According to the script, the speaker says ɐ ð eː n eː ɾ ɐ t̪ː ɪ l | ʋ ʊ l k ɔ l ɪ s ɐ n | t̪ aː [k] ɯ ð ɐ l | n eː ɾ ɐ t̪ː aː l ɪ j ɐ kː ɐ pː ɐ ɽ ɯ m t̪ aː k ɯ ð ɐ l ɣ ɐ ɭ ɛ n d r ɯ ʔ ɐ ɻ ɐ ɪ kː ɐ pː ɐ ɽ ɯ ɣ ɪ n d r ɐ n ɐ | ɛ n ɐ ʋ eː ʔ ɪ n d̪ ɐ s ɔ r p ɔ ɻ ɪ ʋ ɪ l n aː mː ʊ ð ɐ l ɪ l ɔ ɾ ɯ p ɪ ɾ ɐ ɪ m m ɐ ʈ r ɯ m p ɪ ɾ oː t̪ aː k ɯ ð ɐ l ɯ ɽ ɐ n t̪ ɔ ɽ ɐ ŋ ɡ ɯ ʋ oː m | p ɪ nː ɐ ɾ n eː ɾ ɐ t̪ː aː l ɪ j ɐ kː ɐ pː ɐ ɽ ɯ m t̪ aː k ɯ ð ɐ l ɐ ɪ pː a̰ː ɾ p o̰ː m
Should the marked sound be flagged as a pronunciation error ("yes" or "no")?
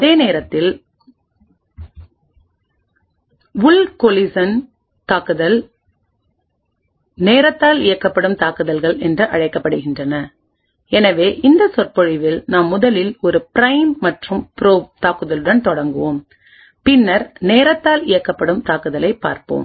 no